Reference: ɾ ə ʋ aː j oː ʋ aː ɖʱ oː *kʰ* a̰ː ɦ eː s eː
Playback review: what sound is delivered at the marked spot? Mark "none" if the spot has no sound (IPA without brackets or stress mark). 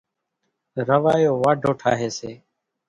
ʈʰ